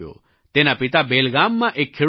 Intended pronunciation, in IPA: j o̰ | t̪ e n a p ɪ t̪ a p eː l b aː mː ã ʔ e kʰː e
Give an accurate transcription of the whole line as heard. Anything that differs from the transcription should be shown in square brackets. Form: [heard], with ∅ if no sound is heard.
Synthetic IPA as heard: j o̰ | t̪ e n a p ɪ t̪ a [b] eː l [ɡ] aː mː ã ʔ e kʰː e